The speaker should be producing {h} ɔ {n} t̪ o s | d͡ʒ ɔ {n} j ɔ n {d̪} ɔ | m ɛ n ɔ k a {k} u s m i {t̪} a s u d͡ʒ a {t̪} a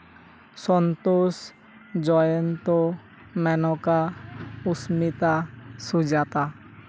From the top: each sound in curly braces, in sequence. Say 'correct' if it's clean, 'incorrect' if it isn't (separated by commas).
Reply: incorrect, correct, incorrect, incorrect, incorrect, correct, correct